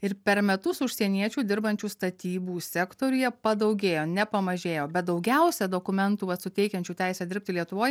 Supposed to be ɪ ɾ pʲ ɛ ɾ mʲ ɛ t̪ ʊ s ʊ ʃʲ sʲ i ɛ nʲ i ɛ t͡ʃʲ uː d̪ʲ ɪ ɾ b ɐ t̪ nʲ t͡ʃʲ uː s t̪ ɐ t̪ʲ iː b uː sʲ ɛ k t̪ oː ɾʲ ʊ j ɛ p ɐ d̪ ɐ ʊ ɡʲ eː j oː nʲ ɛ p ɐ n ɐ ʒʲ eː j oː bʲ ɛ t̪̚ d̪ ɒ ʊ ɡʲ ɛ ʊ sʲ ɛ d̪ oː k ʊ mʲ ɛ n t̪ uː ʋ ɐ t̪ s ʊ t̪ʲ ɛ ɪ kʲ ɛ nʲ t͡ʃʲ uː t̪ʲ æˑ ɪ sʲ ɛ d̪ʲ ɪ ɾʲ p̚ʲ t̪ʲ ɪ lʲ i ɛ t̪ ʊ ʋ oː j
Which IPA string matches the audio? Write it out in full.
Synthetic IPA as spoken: ɪ ɾ pʲ ɛ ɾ mʲ ɛ t̪ ʊ s ʊ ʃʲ sʲ i ɛ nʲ i ɛ t͡ʃʲ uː d̪ʲ ɪ ɾ b ɐ nʲ t͡ʃʲ uː s t̪ ɐ t̪ʲ iː b uː sʲ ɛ k t̪ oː ɾʲ ʊ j ɛ p ɐ d̪ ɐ ʊ ɡʲ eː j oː nʲ ɛ p ɐ m ɐ ʒʲ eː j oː bʲ ɛ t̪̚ d̪ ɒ ʊ ɡʲ ɛ ʊ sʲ ɛ d̪ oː k ʊ mʲ ɛ n t̪ uː ʋ ɐ t̪ s ʊ t̪ʲ ɛ ɪ kʲ ɛ nʲ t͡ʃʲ uː t̪ʲ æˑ ɪ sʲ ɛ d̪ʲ ɪ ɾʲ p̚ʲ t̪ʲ ɪ lʲ i ɛ t̪ ʊ ʋ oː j